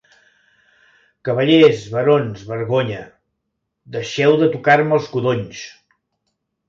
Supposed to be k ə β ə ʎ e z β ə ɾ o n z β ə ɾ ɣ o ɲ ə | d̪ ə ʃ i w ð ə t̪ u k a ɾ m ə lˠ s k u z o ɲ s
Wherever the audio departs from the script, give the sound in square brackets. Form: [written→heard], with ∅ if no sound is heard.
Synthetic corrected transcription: k ə β ə ʎ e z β ə ɾ o n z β ə ɾ ɣ o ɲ ə | d̪ ə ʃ [i→ɛ] w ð ə t̪ u k a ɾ m ə lˠ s k u [z→ð] o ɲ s